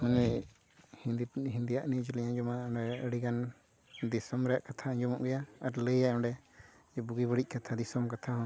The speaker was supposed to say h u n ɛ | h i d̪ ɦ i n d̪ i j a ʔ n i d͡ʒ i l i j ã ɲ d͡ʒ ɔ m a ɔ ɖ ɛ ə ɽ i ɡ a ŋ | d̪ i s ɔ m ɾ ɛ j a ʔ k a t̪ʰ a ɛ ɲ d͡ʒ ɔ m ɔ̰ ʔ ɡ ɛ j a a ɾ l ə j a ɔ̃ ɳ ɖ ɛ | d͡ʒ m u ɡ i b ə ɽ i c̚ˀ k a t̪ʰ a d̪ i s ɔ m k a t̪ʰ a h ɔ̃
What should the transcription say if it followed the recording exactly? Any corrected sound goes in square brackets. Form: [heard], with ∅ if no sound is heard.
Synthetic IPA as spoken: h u n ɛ | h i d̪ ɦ i n d̪ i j a ʔ n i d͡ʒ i l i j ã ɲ d͡ʒ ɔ m a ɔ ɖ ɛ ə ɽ i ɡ a [n] | d̪ i s ɔ m ɾ ɛ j a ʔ k a t̪ʰ a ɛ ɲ d͡ʒ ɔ m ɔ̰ ʔ ɡ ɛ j a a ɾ l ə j a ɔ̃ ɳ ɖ ɛ | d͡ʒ [b] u ɡ i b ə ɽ i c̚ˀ k a t̪ʰ a d̪ i s ɔ m k a t̪ʰ a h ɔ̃